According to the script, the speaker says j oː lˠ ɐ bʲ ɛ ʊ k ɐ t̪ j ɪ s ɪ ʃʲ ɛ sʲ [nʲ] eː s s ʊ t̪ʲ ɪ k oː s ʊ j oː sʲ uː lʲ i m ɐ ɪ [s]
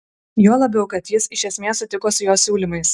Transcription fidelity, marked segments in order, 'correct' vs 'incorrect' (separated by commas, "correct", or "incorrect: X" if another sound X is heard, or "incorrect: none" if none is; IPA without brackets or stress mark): incorrect: mʲ, correct